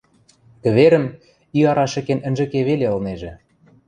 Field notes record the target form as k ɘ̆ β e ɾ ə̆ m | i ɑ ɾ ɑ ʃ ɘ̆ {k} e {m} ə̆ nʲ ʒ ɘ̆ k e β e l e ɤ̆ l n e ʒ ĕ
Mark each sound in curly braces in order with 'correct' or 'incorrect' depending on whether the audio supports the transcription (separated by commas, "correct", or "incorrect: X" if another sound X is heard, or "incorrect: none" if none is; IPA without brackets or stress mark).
correct, incorrect: n